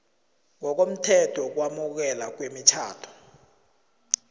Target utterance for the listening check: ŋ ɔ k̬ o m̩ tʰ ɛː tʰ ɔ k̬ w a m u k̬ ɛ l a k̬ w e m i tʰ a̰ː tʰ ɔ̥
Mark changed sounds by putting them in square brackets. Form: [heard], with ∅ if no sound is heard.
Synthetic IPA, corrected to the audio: ŋ ɔ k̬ o m̩ tʰ [ɛ] tʰ ɔ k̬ w a m u k̬ ɛ l a k̬ w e m i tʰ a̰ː tʰ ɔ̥